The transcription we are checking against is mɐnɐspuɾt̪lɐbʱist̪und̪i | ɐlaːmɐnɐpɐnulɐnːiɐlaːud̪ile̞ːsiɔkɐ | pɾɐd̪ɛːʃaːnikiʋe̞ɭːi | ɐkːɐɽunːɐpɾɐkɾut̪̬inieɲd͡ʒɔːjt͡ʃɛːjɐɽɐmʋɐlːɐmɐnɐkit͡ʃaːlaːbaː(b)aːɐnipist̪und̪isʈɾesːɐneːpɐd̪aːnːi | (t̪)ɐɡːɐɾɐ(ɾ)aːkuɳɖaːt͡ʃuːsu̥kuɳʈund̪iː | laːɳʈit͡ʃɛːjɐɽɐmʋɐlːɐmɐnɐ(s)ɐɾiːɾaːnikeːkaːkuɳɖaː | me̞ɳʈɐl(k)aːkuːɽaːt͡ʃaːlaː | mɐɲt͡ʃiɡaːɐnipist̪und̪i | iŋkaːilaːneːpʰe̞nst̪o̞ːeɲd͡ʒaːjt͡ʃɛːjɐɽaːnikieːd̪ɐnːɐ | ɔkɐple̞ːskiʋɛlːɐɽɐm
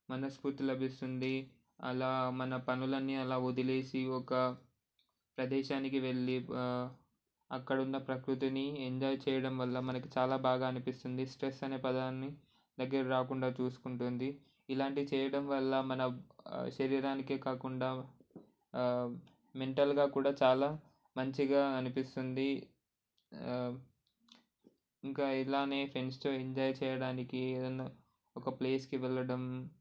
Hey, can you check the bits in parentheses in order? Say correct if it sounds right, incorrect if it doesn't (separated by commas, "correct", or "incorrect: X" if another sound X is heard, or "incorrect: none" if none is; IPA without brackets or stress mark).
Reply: incorrect: ɡ, incorrect: d̪, correct, incorrect: ʃ, incorrect: ɡ